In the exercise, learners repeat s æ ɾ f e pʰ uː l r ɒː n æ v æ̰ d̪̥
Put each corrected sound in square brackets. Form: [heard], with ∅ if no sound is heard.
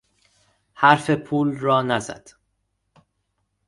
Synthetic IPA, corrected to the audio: [h] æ ɾ f e pʰ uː l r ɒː n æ [z] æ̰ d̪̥

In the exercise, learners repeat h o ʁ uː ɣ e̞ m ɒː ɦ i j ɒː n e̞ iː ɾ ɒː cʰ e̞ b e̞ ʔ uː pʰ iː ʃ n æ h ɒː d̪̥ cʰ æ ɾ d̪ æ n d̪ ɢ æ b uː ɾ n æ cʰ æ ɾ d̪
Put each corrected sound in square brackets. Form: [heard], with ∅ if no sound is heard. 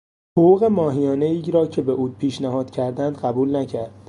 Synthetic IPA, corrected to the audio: h o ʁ uː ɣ e̞ m ɒː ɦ i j ɒː n e̞ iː ɾ ɒː cʰ e̞ b e̞ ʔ uː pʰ iː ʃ n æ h ɒː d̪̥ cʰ æ ɾ d̪ æ n d̪ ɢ æ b uː [l] n æ cʰ æ ɾ d̪

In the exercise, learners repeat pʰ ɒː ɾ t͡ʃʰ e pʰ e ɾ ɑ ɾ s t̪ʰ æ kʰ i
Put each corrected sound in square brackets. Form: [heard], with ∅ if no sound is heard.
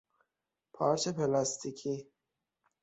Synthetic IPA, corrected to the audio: pʰ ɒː ɾ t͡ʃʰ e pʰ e [l] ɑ [∅] s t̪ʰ [i] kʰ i

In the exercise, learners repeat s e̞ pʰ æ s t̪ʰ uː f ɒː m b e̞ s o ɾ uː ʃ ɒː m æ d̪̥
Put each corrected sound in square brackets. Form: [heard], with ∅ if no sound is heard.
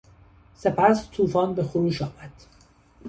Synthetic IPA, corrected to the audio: s e̞ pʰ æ s t̪ʰ uː f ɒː [n] b e̞ [x] o ɾ uː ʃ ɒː m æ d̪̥

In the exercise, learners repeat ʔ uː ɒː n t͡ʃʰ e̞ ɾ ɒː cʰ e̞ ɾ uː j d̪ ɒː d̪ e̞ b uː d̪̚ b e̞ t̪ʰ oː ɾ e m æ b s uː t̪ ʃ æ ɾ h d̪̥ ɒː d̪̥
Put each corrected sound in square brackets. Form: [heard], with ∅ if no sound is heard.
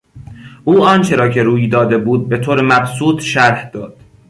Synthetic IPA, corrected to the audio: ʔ uː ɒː n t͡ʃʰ e̞ ɾ ɒː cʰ e̞ ɾ uː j d̪ ɒː d̪ e̞ b uː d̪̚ b e̞ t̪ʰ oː ɾ e m æ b s uː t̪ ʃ æ ɾ h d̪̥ ɒː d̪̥

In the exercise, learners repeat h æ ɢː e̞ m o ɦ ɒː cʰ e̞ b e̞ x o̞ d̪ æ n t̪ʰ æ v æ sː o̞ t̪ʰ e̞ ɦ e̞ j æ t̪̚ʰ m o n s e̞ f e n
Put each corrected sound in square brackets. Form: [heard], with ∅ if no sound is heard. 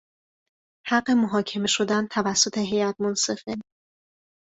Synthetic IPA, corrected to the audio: h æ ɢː e̞ m o ɦ ɒː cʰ e̞ [m] e̞ [ʃ] o̞ d̪ æ n t̪ʰ æ v æ sː o̞ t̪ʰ e̞ ɦ e̞ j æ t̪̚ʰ m o n s e̞ f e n

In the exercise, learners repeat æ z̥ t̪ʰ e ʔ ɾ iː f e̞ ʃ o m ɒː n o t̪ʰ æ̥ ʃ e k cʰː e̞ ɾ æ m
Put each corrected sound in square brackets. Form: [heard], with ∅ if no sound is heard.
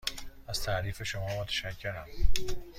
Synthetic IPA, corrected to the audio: æ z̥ t̪ʰ [æ] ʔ ɾ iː f e̞ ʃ o m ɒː [m] o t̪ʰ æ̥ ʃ [æ] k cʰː e̞ ɾ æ m

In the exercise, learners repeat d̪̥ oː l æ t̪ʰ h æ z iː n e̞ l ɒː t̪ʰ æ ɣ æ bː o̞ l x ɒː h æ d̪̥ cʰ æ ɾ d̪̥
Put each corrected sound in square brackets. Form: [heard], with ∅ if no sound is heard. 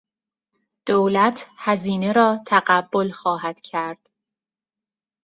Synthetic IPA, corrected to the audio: d̪̥ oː l æ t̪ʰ h æ z iː n e̞ [ɾ] ɒː t̪ʰ æ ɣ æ bː o̞ l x ɒː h æ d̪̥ cʰ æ ɾ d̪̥

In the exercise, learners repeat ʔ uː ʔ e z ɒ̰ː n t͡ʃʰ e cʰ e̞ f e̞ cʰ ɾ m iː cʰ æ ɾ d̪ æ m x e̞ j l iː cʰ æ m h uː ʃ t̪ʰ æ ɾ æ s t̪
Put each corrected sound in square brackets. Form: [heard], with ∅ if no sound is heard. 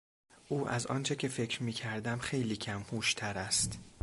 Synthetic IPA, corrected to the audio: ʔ uː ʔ [æ] z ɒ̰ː n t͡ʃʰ e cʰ e̞ f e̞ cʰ ɾ m iː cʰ æ ɾ d̪ æ m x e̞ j l iː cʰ æ m h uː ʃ t̪ʰ æ ɾ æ s t̪

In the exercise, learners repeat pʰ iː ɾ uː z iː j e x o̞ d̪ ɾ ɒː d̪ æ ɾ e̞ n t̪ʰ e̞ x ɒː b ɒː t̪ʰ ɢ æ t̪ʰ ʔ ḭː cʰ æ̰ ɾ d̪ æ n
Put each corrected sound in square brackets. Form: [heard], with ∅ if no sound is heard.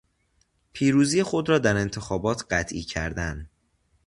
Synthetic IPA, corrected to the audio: pʰ iː ɾ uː z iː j e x o̞ d̪ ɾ ɒː d̪ æ ɾ e̞ n t̪ʰ e̞ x ɒː b ɒː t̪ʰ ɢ æ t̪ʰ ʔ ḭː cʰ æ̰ ɾ d̪ æ n

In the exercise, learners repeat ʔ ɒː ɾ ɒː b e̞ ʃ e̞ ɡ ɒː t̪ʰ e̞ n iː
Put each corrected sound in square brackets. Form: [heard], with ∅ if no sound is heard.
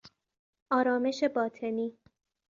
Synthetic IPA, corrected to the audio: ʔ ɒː ɾ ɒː [m] e̞ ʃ e̞ [b] ɒː t̪ʰ e̞ n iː

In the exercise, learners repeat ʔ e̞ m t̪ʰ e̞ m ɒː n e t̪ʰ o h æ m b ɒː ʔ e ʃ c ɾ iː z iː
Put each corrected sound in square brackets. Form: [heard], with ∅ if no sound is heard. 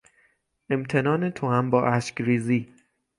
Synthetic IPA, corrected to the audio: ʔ e̞ m t̪ʰ e̞ [n] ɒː n e t̪ʰ o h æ m b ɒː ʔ [æ] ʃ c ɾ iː z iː

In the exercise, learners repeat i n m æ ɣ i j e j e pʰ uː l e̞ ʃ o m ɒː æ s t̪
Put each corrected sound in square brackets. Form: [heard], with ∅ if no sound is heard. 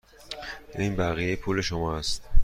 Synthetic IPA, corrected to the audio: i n [b] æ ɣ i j e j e pʰ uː l e̞ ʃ o m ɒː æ s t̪

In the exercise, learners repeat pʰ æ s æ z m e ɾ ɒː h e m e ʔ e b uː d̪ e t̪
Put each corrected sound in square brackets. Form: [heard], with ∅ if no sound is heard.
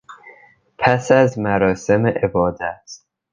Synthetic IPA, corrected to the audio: pʰ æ s æ z m [æ] ɾ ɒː [s] e m e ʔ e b [ɒː] d̪ [æ] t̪

